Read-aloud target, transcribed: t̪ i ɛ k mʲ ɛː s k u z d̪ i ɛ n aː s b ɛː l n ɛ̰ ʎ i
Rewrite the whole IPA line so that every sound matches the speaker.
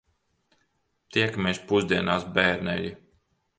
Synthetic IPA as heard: t̪ i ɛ k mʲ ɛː s p u z d̪ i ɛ n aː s b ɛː ɾ n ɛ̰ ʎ i